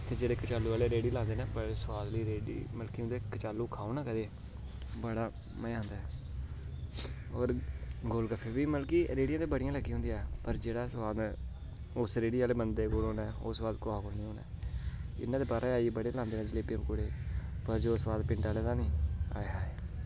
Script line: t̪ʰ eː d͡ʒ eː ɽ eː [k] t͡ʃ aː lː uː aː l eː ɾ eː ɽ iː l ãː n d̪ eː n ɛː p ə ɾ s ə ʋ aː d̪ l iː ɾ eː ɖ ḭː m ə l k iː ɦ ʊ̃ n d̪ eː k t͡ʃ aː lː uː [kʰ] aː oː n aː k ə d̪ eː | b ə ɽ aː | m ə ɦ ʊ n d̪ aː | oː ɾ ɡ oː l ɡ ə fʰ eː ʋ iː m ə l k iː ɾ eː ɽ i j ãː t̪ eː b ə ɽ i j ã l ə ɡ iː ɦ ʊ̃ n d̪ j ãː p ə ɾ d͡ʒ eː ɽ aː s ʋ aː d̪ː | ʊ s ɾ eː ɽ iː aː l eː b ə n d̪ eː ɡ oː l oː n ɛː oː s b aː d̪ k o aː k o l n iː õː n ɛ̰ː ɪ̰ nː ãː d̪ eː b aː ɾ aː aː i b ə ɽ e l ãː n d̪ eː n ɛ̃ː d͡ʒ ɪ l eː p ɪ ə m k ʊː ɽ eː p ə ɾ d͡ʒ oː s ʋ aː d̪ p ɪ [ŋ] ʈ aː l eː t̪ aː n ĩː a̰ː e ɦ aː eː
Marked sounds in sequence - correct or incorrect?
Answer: correct, correct, incorrect: ɳ

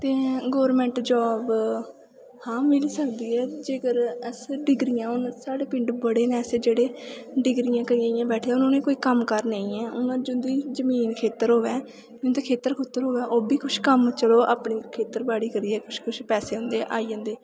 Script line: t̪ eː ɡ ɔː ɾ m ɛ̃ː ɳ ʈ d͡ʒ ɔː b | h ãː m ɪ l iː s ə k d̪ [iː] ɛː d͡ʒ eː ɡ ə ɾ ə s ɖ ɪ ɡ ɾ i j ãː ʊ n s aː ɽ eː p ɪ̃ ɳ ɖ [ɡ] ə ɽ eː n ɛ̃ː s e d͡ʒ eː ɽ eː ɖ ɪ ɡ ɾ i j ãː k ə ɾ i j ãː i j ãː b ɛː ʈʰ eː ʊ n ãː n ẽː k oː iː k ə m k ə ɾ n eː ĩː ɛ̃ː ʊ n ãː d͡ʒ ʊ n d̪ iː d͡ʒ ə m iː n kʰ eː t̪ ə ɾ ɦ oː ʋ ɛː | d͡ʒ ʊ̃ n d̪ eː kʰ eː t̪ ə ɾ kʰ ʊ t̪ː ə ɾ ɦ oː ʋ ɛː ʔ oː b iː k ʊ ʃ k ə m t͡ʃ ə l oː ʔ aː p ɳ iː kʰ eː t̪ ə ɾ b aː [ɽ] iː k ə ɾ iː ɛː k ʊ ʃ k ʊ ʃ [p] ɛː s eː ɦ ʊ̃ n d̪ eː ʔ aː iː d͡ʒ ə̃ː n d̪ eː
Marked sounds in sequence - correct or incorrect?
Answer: correct, incorrect: b, correct, correct

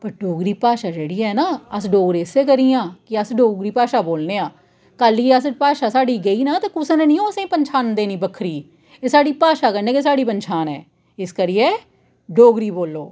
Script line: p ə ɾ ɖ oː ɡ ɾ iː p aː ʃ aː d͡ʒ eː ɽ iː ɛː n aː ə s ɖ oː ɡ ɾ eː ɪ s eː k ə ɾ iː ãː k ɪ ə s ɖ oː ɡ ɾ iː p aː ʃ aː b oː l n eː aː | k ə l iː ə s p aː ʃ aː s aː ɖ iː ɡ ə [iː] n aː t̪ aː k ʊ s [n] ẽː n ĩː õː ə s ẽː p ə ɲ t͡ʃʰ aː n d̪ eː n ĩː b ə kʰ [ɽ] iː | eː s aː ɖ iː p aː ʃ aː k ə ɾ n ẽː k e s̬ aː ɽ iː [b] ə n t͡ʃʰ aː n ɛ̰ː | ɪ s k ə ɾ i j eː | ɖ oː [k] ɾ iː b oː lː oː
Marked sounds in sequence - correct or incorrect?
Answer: correct, correct, incorrect: ɾ, incorrect: p, incorrect: ɡ

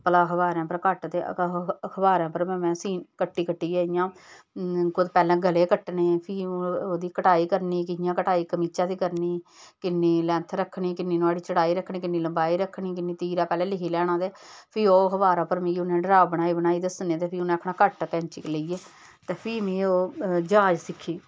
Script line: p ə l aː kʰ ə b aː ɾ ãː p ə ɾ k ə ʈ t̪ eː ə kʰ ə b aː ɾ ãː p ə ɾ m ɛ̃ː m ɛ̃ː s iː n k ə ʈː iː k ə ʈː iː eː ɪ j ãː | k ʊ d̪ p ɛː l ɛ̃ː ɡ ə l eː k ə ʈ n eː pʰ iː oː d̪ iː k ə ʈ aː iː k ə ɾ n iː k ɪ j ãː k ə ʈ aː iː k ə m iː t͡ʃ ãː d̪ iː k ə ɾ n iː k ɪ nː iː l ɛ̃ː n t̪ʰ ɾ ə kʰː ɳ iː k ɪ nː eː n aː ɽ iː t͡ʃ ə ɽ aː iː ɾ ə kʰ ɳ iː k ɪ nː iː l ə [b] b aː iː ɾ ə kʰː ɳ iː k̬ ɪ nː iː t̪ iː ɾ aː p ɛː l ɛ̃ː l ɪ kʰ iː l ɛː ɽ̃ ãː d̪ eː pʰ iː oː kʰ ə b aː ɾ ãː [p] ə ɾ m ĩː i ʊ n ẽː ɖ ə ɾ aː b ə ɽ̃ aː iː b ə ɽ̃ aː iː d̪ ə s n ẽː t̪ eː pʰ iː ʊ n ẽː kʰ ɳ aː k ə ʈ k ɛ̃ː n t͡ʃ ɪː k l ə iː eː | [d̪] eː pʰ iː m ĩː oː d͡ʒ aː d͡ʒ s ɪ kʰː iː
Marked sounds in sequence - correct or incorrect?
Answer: incorrect: m, correct, incorrect: t̪

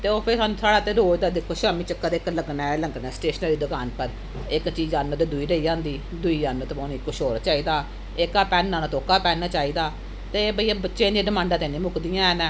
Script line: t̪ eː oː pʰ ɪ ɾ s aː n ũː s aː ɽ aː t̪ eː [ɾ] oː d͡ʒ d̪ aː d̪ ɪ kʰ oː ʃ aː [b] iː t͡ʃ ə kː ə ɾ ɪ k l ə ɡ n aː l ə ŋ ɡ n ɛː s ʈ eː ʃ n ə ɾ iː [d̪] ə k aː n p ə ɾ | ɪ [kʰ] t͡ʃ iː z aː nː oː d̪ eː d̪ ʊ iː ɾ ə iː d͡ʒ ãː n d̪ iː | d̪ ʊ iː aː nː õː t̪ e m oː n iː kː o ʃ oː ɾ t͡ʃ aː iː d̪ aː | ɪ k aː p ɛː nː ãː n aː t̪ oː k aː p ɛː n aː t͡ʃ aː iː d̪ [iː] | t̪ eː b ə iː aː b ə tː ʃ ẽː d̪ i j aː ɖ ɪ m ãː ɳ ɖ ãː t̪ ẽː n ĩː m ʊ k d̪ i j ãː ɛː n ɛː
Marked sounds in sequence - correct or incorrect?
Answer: correct, incorrect: m, correct, incorrect: k, incorrect: aː

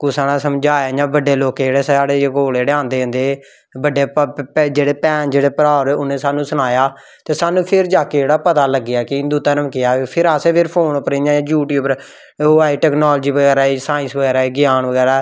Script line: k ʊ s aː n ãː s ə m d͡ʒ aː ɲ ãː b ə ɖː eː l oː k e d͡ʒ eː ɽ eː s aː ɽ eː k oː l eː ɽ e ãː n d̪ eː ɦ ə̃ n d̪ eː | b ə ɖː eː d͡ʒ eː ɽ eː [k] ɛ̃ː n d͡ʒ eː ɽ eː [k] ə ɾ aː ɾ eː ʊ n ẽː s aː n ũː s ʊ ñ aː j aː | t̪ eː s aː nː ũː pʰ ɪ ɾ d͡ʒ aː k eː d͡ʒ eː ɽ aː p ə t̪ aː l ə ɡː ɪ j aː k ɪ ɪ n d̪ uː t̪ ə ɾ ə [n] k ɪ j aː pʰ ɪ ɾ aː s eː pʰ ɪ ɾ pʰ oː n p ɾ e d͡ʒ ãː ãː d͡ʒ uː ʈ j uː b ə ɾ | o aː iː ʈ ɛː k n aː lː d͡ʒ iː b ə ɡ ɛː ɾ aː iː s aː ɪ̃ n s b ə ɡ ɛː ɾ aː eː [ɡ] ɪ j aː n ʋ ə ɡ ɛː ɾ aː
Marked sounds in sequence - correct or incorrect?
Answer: incorrect: p, incorrect: p, incorrect: m, correct

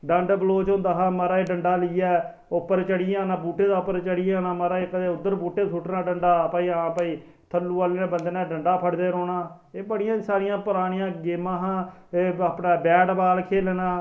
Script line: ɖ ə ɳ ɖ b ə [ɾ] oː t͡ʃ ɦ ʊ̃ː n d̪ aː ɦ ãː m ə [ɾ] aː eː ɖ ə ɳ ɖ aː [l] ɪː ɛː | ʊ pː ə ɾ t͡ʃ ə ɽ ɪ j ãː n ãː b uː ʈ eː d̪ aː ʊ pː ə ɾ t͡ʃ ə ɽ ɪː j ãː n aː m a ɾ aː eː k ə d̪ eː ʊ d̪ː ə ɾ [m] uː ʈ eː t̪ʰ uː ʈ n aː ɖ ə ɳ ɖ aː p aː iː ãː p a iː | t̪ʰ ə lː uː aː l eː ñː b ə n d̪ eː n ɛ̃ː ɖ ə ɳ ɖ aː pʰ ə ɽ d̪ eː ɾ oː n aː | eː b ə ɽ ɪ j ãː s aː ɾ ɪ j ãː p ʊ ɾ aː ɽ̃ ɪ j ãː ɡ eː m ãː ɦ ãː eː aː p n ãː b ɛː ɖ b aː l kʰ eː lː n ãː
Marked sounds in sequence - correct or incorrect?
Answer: incorrect: l, correct, correct, incorrect: b

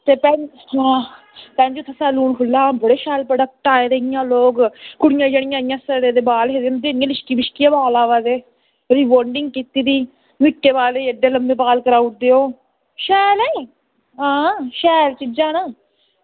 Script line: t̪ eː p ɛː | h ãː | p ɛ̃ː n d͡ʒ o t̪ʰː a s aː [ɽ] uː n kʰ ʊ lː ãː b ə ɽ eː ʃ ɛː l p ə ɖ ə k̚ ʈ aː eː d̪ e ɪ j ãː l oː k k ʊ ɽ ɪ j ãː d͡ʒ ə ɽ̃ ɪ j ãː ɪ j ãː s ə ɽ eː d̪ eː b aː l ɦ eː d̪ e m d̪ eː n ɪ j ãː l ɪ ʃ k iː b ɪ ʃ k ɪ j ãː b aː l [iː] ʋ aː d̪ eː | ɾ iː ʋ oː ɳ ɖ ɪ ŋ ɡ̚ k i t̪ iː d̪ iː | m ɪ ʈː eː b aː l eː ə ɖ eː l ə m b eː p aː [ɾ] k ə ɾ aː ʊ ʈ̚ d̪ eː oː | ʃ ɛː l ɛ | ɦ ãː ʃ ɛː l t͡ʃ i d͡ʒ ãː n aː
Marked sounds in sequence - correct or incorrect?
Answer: incorrect: l, incorrect: aː, incorrect: l

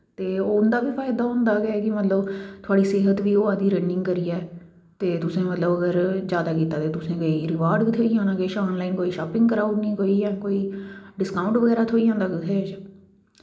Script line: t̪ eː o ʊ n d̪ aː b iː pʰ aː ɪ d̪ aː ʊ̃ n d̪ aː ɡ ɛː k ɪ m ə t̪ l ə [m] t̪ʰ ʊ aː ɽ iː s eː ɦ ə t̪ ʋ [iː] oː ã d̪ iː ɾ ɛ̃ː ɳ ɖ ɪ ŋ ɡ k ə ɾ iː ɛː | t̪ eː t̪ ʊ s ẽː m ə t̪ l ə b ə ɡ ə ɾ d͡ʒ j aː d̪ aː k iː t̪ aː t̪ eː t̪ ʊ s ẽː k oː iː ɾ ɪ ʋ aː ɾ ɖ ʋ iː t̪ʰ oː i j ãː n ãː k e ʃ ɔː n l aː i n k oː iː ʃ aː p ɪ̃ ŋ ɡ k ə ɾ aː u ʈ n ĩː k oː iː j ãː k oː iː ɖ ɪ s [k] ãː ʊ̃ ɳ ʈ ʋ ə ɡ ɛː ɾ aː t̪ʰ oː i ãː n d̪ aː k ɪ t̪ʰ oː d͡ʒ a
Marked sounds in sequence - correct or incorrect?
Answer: incorrect: b, correct, correct

